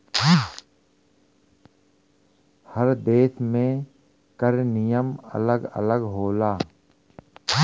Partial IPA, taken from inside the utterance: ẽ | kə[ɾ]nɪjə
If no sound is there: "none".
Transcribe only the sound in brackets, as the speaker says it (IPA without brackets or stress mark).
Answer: ɾ